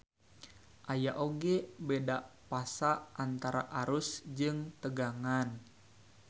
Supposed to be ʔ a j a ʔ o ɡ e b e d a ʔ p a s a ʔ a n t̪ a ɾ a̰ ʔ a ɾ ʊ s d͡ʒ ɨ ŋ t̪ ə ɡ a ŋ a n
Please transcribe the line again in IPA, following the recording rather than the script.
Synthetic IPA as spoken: ʔ a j a ʔ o ɡ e b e d a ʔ p a s a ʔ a n t̪ a ɾ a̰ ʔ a ɾ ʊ s d͡ʒ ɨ ŋ t̪ ə ɡ a ŋ a n

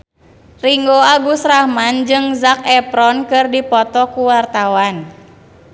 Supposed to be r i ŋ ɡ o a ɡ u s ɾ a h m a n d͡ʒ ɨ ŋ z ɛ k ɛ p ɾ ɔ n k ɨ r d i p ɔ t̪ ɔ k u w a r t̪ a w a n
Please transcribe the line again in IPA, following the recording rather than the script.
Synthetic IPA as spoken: r i ŋ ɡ o a ɡ u s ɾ a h m a n d͡ʒ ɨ ŋ z a k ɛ p ɾ ɔ n k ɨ r d i p ɔ t̪ ɔ k u w a r t̪ a w a n

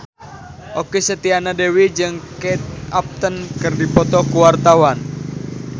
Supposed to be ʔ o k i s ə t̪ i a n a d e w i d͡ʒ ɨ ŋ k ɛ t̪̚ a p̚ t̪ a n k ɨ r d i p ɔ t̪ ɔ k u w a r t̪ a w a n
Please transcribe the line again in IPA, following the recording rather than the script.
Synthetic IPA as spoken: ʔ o k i s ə t̪ i a n a d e w i d͡ʒ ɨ ŋ k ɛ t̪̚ a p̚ t̪ ə n k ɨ r d i p ɔ t̪ ɔ k u w a r t̪ a w a n

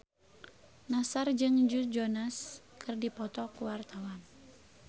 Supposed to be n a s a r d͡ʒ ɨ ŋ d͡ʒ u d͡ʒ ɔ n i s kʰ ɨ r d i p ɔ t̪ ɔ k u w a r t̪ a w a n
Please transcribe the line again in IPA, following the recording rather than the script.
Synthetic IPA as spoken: n a s a r d͡ʒ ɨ ŋ d͡ʒ u d͡ʒ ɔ n a s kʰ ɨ r d i p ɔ t̪ ɔ k u w a r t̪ a w a n

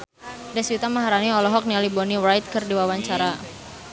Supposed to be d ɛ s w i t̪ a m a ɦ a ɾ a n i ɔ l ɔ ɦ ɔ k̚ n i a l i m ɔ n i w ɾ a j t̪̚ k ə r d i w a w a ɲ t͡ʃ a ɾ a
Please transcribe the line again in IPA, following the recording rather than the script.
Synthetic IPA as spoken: d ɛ s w i t̪ a m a ɦ a ɾ a n i ɔ l ɔ ɦ ɔ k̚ n i a l i b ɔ n i w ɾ a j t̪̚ k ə r d i w a w a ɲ t͡ʃ a ɾ a

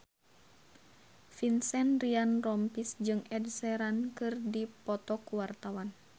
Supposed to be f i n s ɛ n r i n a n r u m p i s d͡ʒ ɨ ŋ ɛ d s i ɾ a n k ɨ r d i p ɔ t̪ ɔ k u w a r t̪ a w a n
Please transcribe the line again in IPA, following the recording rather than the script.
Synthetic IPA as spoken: f i n s ɛ n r i a n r ɔ m p i s d͡ʒ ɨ ŋ ɛ d s ɛ ɾ a n k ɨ r d i p ɔ t̪ ɔ k u w a r t̪ a w a n

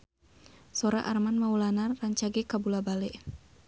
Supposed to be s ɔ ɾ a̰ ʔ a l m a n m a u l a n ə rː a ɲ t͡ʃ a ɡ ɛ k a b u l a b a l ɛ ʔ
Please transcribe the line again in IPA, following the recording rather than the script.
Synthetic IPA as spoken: s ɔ ɾ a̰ ʔ a r m a n m a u l a n a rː a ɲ t͡ʃ a ɡ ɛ k a b u l a b a l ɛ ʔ

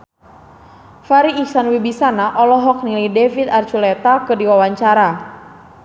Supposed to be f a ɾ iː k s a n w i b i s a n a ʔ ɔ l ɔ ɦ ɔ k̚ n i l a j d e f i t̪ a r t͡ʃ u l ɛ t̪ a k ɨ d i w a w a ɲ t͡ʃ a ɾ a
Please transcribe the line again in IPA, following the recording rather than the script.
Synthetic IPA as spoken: f a ɾ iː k s a n w i b i s a n a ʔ ɔ l ɔ ɦ ɔ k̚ n i l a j d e f i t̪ a r t͡ʃ u l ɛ t̪ a k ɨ d i w a w a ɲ t͡ʃ a ɾ a

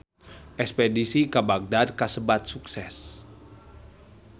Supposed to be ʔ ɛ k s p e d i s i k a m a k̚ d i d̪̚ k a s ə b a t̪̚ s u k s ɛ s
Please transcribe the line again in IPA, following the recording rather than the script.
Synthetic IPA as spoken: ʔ ɛ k s p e d i s i k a b a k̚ d a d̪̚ k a s ə b a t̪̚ s u k s ɛ s

